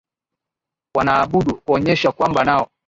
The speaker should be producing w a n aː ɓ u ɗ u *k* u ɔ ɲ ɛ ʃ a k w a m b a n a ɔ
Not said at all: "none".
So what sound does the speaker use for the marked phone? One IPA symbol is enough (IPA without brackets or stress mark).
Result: k